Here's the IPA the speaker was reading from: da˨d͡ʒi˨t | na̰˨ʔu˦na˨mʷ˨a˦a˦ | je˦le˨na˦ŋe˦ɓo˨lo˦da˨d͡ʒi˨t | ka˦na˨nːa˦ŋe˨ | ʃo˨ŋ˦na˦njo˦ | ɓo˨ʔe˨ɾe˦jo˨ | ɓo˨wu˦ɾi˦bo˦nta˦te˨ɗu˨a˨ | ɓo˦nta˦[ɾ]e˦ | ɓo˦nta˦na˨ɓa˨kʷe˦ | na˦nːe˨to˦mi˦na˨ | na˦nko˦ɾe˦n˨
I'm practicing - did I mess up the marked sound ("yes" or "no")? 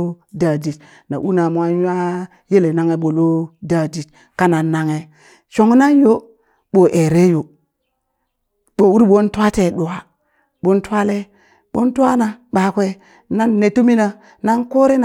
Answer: yes